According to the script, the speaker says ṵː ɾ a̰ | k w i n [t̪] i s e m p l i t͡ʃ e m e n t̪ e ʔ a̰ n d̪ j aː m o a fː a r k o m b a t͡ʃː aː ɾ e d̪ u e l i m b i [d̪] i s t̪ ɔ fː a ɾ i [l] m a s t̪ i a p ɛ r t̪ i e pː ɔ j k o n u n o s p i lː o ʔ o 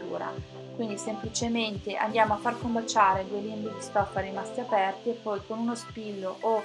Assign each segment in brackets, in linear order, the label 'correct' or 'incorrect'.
incorrect, correct, incorrect

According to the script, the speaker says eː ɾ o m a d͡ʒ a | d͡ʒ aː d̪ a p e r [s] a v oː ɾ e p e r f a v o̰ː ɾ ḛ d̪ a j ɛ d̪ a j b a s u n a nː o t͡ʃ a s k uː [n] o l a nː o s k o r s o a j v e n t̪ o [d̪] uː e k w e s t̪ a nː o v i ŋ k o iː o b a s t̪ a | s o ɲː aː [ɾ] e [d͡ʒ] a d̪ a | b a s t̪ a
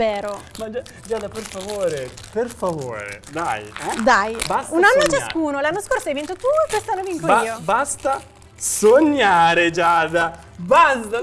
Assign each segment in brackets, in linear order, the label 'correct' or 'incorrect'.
incorrect, correct, incorrect, correct, correct

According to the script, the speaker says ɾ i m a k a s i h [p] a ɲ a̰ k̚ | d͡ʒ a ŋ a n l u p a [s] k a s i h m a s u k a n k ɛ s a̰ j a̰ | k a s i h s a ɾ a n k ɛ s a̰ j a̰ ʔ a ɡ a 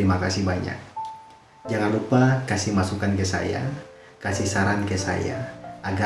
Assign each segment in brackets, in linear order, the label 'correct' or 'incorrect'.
incorrect, incorrect

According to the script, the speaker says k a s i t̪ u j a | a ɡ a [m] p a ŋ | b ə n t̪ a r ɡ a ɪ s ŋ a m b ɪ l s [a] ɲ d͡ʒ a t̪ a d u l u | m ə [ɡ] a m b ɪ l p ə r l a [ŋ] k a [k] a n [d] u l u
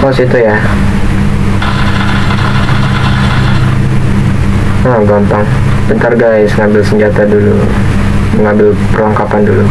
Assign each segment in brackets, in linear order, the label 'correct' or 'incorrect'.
correct, incorrect, incorrect, correct, incorrect, correct

